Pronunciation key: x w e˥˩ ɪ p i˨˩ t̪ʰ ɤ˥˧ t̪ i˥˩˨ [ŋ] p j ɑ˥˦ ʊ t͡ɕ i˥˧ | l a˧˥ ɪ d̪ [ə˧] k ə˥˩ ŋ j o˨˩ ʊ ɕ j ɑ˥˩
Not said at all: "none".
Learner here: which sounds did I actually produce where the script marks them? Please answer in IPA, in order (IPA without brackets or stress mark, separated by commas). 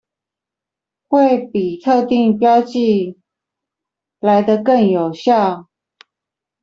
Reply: ŋ, ə˧